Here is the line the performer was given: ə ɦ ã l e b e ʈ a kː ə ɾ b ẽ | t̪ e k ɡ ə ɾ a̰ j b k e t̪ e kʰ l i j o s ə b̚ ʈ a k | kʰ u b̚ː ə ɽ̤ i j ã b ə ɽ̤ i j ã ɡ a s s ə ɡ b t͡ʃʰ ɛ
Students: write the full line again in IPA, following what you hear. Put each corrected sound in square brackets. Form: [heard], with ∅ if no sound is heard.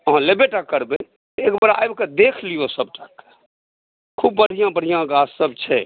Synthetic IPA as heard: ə ɦ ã l e b e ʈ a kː ə ɾ b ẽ | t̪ e k [b] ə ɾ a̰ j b k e [d̪] e kʰ l i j o s ə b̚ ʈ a k | kʰ u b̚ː ə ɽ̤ i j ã b ə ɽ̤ i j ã ɡ a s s ə [∅] b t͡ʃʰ ɛ